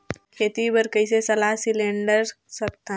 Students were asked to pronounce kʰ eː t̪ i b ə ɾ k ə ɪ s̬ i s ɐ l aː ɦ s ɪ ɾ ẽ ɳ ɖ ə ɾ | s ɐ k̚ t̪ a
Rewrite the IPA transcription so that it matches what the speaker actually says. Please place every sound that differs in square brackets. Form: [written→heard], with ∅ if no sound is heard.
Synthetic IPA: kʰ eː t̪ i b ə ɾ k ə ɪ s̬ [i→e] s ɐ l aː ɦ s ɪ [ɾ→l] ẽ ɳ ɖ ə ɾ | s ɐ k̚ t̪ a